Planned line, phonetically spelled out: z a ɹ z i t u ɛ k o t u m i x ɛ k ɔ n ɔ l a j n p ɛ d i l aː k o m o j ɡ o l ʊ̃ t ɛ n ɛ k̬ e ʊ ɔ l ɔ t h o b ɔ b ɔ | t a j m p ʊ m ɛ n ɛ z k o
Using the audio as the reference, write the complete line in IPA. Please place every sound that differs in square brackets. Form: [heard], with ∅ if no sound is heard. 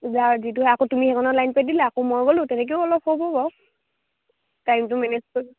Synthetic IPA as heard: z a ɹ z i t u [a] k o t u m i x ɛ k ɔ n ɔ l a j n p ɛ d i l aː k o m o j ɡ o l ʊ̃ t ɛ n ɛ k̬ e ʊ ɔ l ɔ [p] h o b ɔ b ɔ | t a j m [t] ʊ m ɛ n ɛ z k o